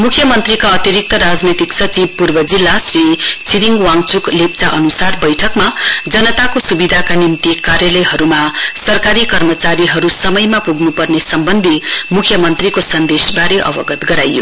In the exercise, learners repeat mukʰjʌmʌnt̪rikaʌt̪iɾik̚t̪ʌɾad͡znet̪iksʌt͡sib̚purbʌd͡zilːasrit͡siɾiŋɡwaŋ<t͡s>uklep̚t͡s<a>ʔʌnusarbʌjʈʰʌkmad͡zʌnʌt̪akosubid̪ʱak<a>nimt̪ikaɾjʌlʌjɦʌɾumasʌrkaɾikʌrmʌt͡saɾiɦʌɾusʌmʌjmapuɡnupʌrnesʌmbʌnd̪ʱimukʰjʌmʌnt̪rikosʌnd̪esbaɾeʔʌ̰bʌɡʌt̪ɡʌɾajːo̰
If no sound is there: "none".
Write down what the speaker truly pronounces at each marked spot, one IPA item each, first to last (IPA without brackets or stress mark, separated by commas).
t͡s, a, a